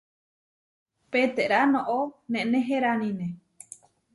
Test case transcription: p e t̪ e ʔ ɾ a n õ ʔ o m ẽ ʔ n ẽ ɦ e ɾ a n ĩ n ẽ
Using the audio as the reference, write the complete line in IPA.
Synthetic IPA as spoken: p e t̪ e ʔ ɾ a n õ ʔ o n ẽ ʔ n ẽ ɦ e ɾ a n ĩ n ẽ